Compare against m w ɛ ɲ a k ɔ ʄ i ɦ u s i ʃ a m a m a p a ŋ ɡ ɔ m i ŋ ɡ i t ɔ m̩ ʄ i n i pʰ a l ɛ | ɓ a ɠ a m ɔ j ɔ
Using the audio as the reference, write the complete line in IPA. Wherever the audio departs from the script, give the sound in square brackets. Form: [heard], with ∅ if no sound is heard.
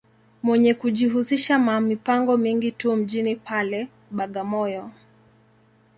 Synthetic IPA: m w ɛ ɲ [ɛ] k [u] ʄ i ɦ u s i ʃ a m a m [i] p a ŋ ɡ ɔ m i ŋ ɡ i t [u] m̩ ʄ i n i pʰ a l ɛ | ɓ a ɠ a m ɔ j ɔ